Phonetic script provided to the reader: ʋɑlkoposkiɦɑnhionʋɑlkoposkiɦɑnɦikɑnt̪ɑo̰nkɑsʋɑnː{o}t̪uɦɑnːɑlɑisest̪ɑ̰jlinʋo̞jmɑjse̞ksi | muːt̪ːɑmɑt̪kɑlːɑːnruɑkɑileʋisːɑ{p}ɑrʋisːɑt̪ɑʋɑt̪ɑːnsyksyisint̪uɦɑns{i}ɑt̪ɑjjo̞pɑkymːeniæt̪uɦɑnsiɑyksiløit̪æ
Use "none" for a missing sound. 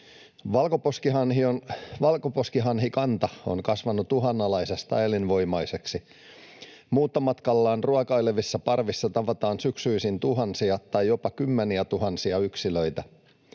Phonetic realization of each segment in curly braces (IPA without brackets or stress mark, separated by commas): u, p, i